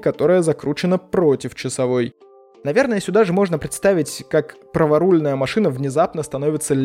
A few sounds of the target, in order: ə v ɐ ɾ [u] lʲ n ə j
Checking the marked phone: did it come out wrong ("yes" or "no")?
no